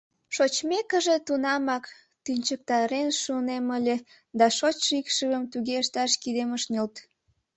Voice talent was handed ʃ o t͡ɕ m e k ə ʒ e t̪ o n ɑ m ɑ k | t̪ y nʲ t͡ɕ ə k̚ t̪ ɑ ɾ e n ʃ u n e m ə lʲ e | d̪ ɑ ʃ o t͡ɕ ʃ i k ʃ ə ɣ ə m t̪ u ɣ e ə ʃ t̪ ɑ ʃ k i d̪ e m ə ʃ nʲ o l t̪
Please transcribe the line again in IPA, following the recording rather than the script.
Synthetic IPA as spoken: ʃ o t͡ɕ m e k ə ʒ e t̪ u n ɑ m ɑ k | t̪ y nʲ t͡ɕ ə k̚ t̪ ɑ ɾ e n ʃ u n e m ə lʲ e | d̪ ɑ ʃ o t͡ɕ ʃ i k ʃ ə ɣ ə m t̪ u ɣ e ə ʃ t̪ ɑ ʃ k i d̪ e m ə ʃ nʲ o l t̪